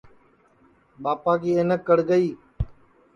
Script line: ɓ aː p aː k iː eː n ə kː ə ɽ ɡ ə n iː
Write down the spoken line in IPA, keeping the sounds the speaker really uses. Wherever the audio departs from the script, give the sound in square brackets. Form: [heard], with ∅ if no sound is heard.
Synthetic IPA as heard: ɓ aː p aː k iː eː n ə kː ə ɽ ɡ ə [∅] iː